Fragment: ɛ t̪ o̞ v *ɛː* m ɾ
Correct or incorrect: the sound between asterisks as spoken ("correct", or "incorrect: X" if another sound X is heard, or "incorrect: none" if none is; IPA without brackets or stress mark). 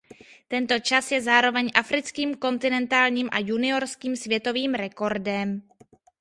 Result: incorrect: iː